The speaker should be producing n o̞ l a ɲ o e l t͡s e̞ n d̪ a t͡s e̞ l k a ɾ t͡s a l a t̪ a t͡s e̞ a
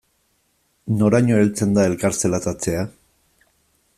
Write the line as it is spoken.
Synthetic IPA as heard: n o̞ ɾ a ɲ o e l t͡s e̞ n d̪ a e̞ l k a ɾ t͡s e l a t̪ a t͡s e̞ a